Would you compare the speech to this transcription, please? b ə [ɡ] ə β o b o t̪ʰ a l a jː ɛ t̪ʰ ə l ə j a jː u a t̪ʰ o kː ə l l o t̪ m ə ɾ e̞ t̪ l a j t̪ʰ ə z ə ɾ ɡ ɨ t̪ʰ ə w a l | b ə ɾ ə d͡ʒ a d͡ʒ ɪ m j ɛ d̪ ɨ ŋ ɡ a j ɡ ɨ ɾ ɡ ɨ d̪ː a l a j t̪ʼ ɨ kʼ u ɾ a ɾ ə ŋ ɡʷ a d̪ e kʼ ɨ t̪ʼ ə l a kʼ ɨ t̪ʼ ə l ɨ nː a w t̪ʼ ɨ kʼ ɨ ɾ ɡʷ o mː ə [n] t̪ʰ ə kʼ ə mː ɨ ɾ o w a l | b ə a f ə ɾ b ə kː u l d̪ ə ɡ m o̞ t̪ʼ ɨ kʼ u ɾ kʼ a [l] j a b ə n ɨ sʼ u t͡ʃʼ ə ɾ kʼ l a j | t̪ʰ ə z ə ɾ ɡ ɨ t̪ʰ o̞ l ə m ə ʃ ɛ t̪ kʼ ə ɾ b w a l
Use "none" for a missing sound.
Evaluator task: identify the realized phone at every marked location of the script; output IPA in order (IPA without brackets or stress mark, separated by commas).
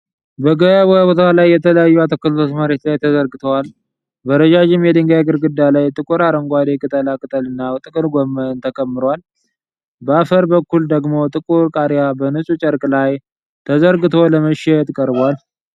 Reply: ɡ, n, ɾ